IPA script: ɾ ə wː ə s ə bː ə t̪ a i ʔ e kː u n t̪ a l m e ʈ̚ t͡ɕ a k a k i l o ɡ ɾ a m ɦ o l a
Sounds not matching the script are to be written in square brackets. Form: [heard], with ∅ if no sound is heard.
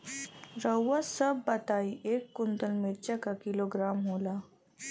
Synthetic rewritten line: ɾ ə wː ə s ə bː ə t̪ a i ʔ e kː u n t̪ [ə] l m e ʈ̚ t͡ɕ a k a k i l o ɡ ɾ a m ɦ o l a